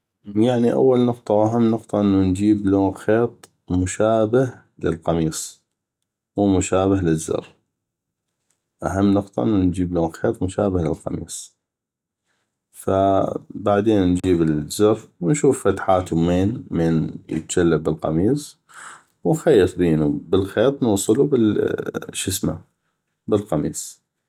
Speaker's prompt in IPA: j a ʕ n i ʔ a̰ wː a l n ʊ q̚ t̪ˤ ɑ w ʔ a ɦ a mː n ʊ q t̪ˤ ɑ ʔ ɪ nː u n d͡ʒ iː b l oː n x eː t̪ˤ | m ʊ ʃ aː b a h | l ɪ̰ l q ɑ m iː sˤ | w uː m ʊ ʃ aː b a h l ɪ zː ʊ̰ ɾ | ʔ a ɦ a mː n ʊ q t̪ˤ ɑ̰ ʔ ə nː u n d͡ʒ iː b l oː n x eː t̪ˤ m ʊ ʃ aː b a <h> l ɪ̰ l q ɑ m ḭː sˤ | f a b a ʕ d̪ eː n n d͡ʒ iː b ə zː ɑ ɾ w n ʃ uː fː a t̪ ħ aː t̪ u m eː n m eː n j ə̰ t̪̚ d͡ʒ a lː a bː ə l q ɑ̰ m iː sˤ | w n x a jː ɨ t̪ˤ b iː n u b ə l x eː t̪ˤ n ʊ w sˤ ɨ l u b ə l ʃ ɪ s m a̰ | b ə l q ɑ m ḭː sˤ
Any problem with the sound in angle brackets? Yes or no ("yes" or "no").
no